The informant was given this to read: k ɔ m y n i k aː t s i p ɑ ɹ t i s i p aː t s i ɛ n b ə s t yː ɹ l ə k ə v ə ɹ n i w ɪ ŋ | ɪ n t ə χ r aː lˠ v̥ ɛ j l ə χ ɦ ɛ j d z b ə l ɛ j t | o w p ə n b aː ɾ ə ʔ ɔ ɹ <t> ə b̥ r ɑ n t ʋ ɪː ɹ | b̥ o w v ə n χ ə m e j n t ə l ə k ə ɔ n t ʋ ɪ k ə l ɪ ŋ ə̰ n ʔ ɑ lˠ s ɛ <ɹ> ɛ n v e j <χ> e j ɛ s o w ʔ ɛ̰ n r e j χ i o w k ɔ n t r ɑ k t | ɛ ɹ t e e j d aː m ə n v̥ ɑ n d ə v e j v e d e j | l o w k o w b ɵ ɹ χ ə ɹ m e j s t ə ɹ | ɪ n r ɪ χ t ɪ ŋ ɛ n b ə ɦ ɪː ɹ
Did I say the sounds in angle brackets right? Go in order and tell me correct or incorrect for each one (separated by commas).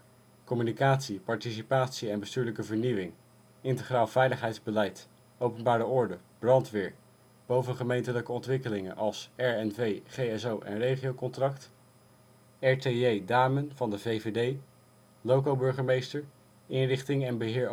incorrect, correct, correct